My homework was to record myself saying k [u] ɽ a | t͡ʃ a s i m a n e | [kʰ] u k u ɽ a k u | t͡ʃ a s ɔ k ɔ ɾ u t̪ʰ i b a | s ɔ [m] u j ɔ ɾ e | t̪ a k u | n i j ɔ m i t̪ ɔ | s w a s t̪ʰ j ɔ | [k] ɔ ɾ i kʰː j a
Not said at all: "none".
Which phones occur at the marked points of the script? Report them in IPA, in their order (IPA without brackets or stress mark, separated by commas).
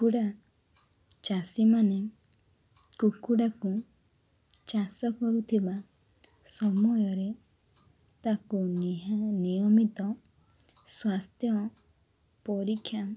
u, k, m, p